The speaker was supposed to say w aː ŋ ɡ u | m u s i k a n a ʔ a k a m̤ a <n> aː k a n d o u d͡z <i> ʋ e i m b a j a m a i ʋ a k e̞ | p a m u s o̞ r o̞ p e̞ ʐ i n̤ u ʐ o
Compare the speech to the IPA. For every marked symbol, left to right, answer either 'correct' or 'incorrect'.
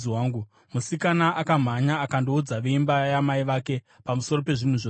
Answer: incorrect: ɲ, incorrect: a

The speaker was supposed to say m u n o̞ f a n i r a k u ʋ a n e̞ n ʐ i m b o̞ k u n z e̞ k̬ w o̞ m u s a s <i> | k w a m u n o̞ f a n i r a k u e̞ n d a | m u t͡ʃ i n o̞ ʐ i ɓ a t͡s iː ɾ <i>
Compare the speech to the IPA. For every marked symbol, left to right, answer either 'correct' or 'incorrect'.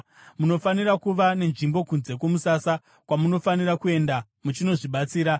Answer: incorrect: a, incorrect: a

